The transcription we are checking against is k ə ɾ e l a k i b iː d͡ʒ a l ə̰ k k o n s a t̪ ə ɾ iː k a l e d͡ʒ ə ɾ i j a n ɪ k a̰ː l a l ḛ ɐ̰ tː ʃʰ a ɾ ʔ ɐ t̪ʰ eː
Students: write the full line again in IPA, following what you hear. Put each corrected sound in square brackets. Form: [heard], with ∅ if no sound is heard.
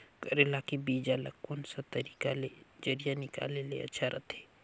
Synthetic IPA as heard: k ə ɾ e l a k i b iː d͡ʒ a l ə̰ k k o n s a t̪ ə ɾ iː k a l e d͡ʒ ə ɾ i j a n ɪ k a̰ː l [e] l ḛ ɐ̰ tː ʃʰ a ɾ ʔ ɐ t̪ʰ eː